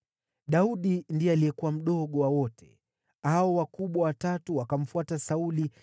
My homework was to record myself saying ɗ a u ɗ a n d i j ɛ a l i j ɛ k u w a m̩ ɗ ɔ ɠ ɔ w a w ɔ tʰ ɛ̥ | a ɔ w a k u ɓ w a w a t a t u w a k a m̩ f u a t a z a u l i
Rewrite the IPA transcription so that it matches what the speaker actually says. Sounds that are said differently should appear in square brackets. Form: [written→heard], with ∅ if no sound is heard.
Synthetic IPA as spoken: ɗ a u ɗ [a→i] n d i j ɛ a l i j ɛ k u w a m̩ ɗ ɔ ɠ ɔ w a w ɔ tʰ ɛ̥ | a ɔ w a k u ɓ w a w a t a t u w a k a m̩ f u a t a [z→s] a u l i